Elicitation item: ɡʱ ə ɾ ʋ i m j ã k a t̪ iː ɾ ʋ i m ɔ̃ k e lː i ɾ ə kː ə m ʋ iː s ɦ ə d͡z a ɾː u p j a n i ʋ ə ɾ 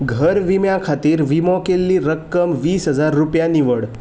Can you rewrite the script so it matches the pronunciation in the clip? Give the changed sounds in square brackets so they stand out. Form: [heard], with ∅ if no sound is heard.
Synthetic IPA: ɡʱ ə ɾ ʋ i m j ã [kʰ] a t̪ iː ɾ ʋ i m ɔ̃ k e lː i ɾ ə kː ə m ʋ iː s ɦ ə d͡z a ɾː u p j a n i ʋ ə [ɽ]